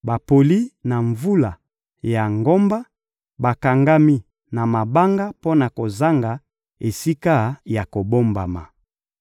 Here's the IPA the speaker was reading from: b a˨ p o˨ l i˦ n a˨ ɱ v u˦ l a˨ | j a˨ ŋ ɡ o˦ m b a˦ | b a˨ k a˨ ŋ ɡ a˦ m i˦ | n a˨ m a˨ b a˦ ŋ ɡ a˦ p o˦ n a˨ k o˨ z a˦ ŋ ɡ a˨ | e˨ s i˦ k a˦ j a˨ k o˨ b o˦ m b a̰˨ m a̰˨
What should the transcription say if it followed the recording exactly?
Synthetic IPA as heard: b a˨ p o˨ l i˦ n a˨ ɱ v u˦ l a˨ | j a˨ ŋ ɡ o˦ m b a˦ | b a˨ k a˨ ŋ ɡ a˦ m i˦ | n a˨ m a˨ b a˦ ŋ ɡ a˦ p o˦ n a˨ k o˨ z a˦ ŋ ɡ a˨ | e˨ s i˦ k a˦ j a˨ k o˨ b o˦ m b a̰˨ m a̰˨

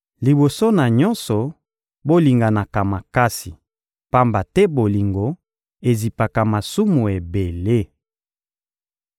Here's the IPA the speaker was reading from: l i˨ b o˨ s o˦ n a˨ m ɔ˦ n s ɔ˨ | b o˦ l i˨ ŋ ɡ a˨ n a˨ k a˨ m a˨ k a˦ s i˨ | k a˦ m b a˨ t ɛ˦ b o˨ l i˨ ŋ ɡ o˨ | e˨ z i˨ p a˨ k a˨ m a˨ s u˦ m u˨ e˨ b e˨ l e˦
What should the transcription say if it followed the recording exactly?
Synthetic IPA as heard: l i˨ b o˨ s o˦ n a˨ ɲ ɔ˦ n s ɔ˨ | b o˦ l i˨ ŋ ɡ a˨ n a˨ k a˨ m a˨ k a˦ s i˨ | p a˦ m b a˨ t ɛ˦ b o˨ l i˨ ŋ ɡ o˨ | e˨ z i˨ p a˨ k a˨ m a˨ s u˦ m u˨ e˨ b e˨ l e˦

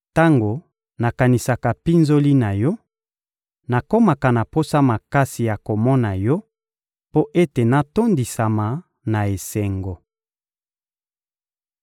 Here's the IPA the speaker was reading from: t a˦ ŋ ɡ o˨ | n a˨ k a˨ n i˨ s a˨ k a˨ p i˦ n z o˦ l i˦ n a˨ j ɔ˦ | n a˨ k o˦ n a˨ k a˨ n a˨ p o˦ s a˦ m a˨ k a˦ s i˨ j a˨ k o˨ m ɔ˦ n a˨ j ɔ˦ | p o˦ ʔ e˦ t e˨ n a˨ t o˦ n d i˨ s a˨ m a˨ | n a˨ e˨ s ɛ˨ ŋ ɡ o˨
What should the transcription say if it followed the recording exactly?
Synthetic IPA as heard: t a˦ ŋ ɡ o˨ | n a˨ k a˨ n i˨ s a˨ k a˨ p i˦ n z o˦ l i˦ n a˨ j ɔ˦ | n a˨ k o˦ m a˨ k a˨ n a˨ p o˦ s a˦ m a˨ k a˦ s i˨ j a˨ k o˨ m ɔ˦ n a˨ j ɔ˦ | p o˦ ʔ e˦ t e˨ n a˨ t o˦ n d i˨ s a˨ m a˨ | n a˨ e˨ s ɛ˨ ŋ ɡ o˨

